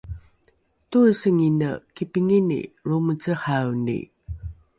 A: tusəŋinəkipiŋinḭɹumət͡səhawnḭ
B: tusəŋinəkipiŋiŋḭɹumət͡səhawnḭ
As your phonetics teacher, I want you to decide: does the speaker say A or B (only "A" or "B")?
A